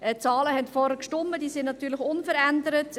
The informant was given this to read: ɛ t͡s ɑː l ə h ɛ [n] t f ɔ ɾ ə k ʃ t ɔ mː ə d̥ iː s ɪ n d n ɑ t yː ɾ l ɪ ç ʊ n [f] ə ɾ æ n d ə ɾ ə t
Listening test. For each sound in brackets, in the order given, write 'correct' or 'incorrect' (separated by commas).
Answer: correct, correct